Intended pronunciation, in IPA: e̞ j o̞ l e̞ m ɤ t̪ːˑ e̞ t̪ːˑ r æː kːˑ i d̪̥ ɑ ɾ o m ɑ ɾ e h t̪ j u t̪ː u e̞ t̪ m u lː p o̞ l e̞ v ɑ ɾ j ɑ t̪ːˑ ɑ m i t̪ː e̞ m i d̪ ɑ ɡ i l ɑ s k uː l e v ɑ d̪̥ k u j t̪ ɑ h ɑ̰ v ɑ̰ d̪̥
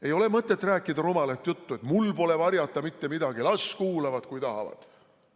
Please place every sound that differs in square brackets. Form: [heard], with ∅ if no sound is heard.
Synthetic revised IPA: e̞ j o̞ l e̞ m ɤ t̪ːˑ e̞ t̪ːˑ r æː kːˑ i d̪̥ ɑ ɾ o m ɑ [l] e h t̪ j u t̪ː u e̞ t̪ m u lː p o̞ l e̞ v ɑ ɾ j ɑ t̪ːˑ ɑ m i t̪ː e̞ m i d̪ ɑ ɡ i l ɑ s k uː l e v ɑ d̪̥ k u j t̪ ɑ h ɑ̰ v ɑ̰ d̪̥